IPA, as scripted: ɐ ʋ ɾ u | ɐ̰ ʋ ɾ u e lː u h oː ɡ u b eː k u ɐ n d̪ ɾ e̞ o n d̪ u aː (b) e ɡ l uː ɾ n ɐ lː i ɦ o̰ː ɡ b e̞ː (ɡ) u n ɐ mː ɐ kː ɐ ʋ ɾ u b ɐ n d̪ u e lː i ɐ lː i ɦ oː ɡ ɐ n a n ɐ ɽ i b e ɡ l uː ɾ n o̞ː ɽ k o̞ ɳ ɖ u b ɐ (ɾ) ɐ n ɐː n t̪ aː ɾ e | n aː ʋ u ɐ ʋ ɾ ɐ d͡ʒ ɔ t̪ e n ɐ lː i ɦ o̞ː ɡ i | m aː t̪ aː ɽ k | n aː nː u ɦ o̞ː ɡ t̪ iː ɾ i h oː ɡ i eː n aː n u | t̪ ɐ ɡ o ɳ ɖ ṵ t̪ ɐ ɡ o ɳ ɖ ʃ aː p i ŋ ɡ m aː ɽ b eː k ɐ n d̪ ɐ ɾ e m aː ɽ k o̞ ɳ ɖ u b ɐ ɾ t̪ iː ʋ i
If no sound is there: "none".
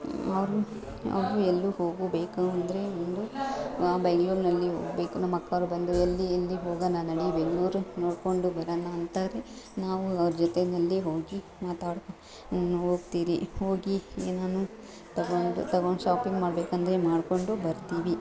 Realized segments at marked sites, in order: b, k, ɾ

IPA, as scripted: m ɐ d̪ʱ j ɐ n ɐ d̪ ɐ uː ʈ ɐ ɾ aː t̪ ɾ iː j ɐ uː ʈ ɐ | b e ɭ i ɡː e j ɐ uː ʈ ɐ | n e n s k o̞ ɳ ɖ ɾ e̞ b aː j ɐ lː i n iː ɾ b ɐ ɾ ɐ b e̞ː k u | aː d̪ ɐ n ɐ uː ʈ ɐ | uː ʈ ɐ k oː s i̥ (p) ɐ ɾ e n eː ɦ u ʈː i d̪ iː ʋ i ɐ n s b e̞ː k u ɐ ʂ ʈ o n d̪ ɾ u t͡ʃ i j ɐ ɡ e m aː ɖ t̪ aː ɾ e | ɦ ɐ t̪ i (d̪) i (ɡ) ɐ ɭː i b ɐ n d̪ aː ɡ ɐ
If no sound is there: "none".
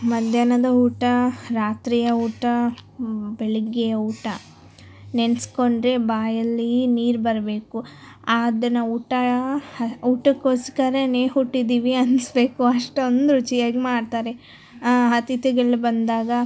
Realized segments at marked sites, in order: k, t̪, ɡ

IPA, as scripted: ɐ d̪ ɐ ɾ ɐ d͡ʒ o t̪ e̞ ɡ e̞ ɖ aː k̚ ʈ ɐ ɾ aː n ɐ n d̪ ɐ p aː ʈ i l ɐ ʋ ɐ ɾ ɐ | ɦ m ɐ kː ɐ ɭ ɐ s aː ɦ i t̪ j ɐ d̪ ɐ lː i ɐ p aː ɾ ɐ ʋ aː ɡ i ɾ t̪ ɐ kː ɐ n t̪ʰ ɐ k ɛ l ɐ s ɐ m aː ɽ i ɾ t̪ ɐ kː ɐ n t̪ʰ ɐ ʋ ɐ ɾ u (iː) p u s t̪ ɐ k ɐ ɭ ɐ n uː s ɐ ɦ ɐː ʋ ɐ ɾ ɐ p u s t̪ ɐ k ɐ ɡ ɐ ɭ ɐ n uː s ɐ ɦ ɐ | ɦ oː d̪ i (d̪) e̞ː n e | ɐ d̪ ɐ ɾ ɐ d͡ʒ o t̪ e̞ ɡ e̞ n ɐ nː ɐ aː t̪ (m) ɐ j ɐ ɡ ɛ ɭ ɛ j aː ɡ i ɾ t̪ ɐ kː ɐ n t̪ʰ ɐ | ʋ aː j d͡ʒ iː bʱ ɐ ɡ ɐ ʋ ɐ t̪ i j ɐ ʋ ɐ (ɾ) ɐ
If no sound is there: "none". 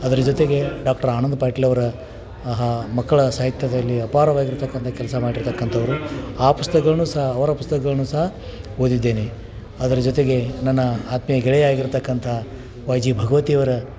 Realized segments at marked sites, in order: aː, d̪ː, m, ɾ

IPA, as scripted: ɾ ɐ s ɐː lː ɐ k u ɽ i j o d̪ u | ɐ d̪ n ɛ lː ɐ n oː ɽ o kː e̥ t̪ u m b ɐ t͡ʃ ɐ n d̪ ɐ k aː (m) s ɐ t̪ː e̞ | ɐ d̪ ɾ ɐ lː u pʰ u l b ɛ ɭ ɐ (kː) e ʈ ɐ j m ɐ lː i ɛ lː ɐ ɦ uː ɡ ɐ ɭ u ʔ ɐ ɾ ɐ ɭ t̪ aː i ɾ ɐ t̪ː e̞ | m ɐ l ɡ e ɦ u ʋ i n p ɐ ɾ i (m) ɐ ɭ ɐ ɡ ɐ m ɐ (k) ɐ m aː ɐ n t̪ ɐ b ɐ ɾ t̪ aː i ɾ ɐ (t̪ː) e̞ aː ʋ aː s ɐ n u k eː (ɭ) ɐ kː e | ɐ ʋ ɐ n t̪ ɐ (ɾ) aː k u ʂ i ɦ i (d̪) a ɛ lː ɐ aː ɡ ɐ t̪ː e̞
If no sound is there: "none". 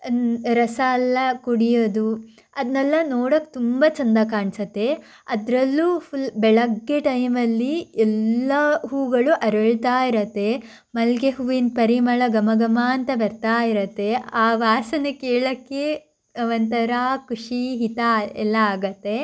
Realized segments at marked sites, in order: ɳ, ɡː, m, ɡ, t̪ː, ɭ, ɾ, t̪

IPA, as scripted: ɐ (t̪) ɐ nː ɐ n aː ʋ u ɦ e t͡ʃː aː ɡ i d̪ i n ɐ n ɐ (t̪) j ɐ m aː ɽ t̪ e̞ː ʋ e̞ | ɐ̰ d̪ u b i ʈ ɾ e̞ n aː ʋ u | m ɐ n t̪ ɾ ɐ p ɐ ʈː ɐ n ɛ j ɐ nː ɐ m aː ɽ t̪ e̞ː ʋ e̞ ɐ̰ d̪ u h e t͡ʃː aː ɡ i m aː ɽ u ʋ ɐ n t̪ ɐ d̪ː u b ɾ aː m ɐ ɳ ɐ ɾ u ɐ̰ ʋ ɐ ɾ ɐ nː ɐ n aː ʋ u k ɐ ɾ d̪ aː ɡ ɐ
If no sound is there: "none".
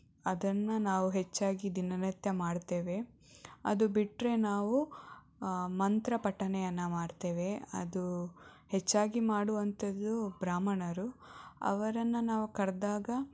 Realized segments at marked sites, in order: d̪, t̪

